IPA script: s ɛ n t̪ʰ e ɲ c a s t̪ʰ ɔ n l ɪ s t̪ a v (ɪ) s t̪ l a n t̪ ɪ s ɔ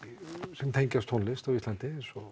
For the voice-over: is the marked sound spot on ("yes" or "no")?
no